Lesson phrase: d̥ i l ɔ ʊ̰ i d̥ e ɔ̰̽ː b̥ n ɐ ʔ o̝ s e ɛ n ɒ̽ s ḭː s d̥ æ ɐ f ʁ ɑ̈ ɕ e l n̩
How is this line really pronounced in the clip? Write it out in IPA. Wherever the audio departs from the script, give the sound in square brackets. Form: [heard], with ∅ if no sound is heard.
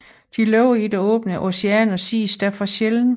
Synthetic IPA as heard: d̥ i l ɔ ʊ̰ i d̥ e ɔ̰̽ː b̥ n [ə] ʔ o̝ s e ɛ n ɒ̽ s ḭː s d̥ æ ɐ f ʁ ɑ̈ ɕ e l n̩